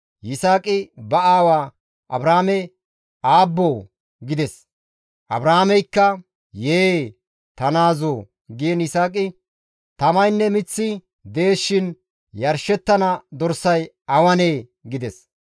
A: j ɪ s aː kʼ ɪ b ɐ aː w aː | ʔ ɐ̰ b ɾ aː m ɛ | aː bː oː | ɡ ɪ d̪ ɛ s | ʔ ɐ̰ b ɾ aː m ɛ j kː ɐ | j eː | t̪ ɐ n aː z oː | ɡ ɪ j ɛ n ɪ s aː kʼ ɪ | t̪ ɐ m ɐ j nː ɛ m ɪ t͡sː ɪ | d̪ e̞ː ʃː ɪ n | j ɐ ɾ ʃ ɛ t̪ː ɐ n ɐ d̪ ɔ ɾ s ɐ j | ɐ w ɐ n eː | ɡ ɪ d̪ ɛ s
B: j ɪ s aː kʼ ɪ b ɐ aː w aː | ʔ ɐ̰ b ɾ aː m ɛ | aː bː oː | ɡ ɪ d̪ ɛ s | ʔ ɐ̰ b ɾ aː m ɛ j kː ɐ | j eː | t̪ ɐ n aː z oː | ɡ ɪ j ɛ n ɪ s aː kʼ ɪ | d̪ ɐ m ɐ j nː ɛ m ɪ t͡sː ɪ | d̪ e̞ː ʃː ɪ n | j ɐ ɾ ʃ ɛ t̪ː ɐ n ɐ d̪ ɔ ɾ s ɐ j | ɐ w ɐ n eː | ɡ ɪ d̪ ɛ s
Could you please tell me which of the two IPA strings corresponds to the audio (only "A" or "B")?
A